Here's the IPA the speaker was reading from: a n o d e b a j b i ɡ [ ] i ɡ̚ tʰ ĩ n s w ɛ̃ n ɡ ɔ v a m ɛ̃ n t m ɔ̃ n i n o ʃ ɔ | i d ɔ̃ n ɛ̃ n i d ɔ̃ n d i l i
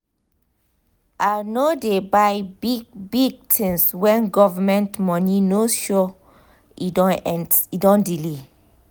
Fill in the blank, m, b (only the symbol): b